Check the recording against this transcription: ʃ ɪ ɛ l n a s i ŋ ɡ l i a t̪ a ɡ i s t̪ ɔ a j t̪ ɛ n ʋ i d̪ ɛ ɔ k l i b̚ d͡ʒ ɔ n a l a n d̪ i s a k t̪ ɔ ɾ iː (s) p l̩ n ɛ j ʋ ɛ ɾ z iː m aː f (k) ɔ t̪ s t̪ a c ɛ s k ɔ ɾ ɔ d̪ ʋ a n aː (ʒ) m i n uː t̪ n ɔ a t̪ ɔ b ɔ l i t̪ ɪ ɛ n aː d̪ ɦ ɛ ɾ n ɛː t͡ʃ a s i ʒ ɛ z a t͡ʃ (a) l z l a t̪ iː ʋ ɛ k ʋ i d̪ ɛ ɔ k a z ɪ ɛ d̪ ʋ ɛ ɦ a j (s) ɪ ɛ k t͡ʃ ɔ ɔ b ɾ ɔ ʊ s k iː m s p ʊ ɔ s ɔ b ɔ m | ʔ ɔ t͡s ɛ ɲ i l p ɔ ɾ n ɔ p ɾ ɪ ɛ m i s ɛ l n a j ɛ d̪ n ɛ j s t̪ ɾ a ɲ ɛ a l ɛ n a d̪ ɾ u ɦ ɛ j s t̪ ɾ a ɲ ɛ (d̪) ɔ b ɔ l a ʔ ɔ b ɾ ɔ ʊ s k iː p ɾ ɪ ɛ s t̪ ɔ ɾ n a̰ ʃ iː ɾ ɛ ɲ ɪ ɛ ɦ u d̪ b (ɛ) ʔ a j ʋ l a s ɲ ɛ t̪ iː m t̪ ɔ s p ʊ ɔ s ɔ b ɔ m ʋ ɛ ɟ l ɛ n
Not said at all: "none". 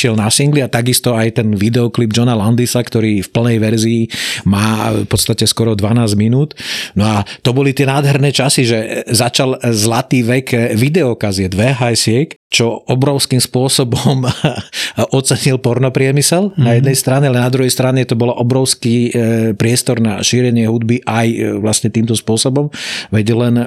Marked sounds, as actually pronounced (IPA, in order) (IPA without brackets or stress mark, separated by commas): f, p, z, a, s, t̪, i